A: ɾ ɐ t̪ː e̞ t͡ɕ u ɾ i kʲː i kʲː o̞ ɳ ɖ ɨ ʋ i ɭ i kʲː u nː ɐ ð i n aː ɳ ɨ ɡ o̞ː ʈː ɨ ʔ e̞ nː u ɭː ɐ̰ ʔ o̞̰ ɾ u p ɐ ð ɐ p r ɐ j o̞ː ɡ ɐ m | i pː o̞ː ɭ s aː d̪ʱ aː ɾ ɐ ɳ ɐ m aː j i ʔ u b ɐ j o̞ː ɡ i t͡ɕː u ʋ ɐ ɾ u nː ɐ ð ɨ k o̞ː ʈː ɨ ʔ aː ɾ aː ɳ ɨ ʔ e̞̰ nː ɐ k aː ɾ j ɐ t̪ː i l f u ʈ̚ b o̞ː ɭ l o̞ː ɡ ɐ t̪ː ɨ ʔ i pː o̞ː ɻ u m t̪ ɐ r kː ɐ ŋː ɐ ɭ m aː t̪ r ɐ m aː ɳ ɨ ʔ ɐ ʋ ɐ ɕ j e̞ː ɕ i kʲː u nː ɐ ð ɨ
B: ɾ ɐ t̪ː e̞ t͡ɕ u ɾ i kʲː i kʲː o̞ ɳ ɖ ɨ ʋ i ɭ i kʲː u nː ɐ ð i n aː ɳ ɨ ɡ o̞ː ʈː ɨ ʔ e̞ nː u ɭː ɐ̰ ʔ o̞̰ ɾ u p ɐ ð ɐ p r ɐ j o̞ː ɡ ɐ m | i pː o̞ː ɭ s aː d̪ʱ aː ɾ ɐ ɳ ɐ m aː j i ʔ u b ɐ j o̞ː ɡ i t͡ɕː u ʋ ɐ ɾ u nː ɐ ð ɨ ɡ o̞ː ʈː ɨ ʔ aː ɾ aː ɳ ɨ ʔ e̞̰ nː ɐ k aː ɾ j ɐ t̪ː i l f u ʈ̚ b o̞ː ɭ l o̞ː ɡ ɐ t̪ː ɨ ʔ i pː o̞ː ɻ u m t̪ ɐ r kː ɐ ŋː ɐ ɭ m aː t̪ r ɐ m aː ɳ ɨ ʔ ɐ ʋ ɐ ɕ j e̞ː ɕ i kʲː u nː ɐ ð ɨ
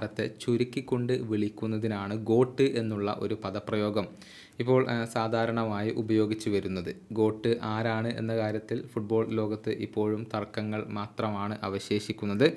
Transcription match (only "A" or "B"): B